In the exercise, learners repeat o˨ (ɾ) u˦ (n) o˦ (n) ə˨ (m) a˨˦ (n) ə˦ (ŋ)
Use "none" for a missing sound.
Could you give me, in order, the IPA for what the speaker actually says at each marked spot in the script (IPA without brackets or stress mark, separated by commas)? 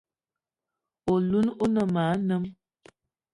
l, n, n, m, n, m